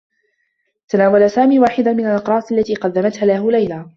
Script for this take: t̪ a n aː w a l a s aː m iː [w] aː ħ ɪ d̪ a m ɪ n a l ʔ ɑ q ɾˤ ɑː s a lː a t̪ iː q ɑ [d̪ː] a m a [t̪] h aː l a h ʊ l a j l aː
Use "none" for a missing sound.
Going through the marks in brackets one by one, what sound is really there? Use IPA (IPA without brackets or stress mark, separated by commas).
w, d̪ː, t̪